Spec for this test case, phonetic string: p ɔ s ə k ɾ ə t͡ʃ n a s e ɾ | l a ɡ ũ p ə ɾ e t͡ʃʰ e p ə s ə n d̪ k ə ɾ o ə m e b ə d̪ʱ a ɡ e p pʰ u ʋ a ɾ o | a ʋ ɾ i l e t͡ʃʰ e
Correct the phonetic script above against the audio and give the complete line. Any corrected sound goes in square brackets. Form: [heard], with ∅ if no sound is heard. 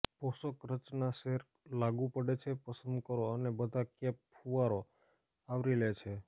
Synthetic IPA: p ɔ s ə k ɾ ə t͡ʃ n a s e ɾ | l a ɡ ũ p ə [ɽ] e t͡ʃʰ e p ə s ə n d̪ k ə ɾ o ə [n] e b ə d̪ʱ a [k] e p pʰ u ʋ a ɾ o | a ʋ ɾ i l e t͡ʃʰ e